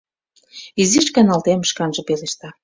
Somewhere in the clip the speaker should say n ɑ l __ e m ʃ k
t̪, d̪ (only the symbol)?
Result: t̪